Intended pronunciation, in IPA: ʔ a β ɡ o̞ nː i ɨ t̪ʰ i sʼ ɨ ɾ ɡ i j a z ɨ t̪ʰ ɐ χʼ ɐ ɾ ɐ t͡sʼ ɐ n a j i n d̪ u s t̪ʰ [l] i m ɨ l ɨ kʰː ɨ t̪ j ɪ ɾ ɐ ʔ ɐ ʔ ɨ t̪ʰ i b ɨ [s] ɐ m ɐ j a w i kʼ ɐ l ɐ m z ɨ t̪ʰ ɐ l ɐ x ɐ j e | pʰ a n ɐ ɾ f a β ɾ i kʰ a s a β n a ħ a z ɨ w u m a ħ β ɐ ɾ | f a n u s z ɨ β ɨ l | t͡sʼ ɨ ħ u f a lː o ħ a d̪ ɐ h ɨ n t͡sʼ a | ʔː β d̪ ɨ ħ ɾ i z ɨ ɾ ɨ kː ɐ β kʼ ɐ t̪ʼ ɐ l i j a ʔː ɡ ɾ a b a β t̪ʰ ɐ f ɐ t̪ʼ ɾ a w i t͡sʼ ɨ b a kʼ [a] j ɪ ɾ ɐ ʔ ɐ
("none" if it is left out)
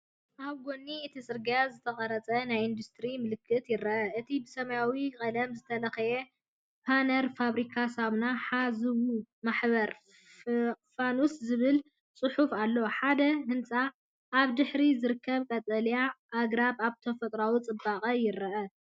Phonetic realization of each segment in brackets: ɾ, s, ɐ

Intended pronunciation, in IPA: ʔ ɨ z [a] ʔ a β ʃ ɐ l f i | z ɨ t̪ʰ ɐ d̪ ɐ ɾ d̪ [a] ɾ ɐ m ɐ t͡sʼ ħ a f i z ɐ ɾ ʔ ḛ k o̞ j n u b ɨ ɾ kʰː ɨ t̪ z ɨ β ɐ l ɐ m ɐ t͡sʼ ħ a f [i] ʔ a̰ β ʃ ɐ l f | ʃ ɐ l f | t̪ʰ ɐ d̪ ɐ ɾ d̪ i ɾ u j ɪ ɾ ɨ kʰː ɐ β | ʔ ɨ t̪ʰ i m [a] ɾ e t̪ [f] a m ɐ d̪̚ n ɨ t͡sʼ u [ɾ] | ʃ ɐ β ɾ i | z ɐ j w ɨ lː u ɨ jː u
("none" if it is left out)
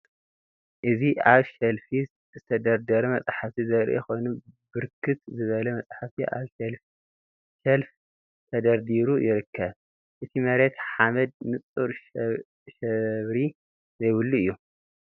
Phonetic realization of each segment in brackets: i, ɐ, i, ɐ, ħ, ɾ

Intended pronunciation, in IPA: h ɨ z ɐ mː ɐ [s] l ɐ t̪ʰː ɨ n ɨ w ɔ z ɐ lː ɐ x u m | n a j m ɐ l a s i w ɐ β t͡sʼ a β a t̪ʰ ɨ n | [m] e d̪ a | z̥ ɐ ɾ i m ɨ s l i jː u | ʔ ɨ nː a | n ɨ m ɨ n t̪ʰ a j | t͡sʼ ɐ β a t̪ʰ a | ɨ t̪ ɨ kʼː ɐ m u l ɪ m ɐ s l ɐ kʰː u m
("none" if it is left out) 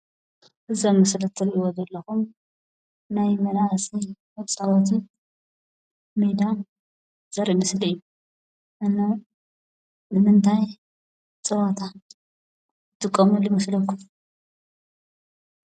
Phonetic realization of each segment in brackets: s, m

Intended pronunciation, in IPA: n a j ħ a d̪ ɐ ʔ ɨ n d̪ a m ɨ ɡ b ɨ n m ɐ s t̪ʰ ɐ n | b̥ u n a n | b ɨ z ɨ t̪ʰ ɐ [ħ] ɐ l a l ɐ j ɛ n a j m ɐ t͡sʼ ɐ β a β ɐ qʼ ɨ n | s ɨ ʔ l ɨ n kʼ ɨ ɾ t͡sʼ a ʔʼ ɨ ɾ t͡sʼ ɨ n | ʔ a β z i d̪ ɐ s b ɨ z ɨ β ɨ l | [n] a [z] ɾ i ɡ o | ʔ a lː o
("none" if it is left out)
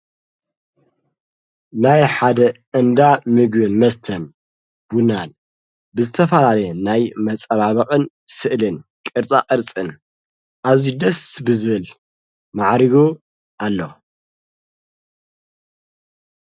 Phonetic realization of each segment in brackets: f, m, ʕ

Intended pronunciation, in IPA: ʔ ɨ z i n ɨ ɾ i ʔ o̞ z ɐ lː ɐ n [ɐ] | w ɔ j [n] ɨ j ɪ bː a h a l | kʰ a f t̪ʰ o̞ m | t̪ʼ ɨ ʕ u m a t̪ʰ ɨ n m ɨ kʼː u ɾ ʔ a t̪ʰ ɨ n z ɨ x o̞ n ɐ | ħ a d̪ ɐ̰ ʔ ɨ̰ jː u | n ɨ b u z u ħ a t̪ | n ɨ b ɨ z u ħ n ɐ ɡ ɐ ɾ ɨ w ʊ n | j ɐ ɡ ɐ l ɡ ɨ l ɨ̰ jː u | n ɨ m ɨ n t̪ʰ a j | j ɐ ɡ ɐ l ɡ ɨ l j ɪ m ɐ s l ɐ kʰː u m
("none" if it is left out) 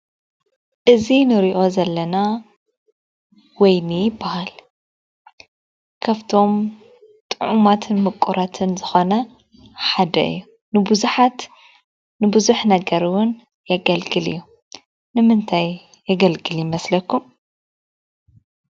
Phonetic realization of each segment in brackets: a, n

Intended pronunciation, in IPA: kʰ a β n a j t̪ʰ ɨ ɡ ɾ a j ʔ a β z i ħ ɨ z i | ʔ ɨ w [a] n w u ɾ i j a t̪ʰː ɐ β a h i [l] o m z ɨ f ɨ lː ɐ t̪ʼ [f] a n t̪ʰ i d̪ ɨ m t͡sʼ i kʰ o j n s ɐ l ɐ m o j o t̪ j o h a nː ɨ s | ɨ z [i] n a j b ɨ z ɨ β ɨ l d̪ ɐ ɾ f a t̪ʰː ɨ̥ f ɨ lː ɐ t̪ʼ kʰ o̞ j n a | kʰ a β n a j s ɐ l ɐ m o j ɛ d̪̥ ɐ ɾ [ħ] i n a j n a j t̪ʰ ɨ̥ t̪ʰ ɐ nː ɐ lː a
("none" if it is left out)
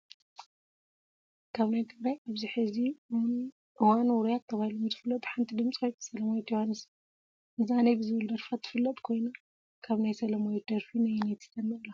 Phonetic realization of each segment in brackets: a, l, ħ, a, f

